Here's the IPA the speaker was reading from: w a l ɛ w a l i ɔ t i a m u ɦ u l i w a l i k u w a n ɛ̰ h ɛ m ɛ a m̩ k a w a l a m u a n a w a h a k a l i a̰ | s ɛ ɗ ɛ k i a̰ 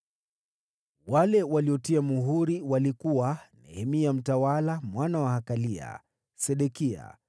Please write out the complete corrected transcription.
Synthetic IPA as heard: w a l ɛ w a l i ɔ t i a m u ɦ u ɾ i w a l i k u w a n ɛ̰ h ɛ m i a m̩ t a w a l a m w a n a w a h a k a l i a̰ | s ɛ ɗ ɛ k i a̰